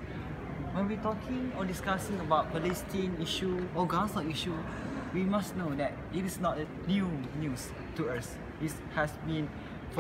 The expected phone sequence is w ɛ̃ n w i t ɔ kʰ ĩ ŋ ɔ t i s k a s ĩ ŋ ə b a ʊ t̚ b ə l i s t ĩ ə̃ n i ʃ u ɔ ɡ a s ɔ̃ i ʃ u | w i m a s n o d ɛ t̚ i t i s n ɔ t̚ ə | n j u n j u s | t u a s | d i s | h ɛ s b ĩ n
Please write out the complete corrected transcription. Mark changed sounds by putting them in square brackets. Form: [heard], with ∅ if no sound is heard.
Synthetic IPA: w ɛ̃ n w i t ɔ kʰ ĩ ŋ ɔ [d] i s k a s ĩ ŋ ə b a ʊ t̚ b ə l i s t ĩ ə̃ n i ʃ u ɔ ɡ a s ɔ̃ i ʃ u | w i m a s n o d ɛ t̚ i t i s n ɔ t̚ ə | n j u n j u s | t u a s | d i s | h ɛ s b ĩ n